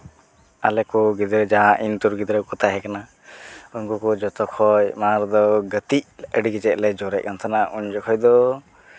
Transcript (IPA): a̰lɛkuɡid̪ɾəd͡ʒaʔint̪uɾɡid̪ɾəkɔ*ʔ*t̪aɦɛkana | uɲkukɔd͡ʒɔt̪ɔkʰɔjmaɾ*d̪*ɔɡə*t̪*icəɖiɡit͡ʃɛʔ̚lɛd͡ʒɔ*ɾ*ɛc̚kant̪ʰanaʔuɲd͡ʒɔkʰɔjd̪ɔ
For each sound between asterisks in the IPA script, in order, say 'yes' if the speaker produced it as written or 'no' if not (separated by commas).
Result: no, yes, yes, yes